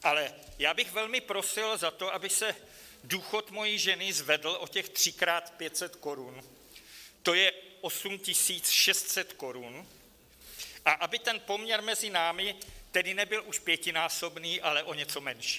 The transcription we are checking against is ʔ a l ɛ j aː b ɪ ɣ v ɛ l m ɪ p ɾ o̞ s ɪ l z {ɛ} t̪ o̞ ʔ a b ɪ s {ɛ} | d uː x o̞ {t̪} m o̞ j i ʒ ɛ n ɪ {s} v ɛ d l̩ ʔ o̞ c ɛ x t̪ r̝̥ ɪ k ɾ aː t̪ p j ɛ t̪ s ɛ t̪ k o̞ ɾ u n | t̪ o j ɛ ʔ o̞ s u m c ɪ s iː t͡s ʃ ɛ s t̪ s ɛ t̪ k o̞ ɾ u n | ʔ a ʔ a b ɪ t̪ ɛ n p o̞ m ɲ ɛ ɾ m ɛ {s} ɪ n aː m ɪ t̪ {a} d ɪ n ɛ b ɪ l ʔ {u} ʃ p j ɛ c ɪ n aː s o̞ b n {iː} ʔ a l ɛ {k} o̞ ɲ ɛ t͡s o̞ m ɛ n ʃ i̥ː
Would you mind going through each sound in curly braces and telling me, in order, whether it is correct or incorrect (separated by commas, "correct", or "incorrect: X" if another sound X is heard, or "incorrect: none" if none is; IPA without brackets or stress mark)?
incorrect: a, correct, correct, incorrect: z, incorrect: z, incorrect: ɛ, correct, correct, incorrect: ʔ